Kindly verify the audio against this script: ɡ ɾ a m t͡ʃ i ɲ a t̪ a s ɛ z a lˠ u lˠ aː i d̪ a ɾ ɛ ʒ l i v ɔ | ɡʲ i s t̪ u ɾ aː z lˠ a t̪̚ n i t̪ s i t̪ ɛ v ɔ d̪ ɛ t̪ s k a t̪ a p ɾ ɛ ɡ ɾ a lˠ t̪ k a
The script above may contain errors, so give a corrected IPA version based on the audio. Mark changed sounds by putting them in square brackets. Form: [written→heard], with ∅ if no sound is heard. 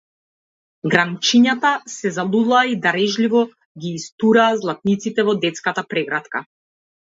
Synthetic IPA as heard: ɡ ɾ a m t͡ʃ i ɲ a t̪ a s ɛ z a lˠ u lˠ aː i d̪ a ɾ ɛ ʒ l i v ɔ | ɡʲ [i→iː] s t̪ u ɾ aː z lˠ a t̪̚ n i t̪ s i t̪ ɛ v ɔ d̪ ɛ t̪ s k a t̪ a p ɾ ɛ ɡ ɾ a [lˠ→∅] t̪ k a